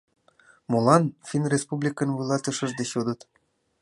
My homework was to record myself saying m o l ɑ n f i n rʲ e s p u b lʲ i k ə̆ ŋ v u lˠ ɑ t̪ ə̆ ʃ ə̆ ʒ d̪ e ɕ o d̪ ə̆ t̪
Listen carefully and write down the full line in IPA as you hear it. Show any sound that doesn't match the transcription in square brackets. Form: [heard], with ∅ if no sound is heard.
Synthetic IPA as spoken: m o l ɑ n f i n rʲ e s p u b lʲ i k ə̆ [n] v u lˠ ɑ t̪ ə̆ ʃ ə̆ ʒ d̪ e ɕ o d̪ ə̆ t̪